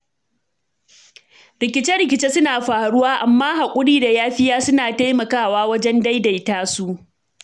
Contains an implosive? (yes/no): no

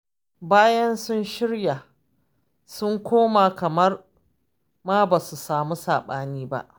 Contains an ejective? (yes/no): no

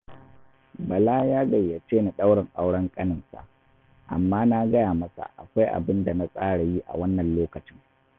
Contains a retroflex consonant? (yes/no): yes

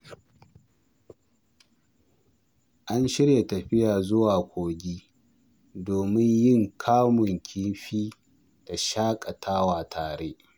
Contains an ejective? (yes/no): yes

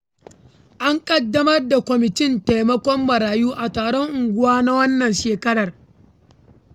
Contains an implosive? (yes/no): no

